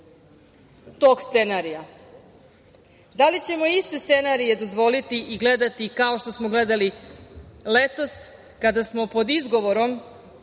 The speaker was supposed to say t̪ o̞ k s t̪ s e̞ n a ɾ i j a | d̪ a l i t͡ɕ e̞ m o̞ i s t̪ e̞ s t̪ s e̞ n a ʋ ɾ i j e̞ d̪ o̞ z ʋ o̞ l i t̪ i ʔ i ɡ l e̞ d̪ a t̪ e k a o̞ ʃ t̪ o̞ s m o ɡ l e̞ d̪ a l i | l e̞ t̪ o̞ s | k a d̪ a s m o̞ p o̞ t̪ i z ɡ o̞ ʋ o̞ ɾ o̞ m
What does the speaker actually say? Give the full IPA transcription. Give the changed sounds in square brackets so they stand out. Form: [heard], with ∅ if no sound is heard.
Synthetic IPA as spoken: t̪ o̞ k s t̪ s e̞ n a ɾ i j a | d̪ a l i t͡ɕ e̞ m o̞ i s t̪ e̞ s t̪ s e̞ n a [∅] ɾ i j e̞ d̪ o̞ z ʋ o̞ l i t̪ i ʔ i ɡ l e̞ d̪ a t̪ [i] k a o̞ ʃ t̪ o̞ s m o ɡ l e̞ d̪ a l i | l e̞ t̪ o̞ s | k a d̪ a s m o̞ p o̞ [d̪] i z ɡ o̞ ʋ o̞ ɾ o̞ m